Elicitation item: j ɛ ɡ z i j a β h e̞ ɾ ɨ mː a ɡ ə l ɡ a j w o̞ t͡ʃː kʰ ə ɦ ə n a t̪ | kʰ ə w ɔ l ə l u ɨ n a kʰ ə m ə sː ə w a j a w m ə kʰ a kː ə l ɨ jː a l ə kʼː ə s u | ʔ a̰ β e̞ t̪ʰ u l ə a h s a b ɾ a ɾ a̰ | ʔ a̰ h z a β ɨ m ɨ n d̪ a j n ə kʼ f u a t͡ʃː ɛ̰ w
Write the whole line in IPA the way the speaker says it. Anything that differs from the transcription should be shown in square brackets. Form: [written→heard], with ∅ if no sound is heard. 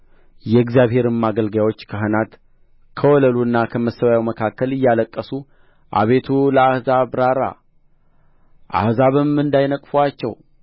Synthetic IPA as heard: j ɛ ɡ z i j a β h e̞ ɾ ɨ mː a ɡ ə l ɡ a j w o̞ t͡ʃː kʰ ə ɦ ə n a t̪ | kʰ ə w ɔ l ə l u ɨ [n→nː] a kʰ ə m ə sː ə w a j a w m ə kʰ a kː ə l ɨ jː a l ə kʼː ə s u | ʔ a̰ β e̞ t̪ʰ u l ə a h [s→z] a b ɾ a ɾ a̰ | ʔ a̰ h z a β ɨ m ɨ n d̪ a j n ə kʼ f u a t͡ʃː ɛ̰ w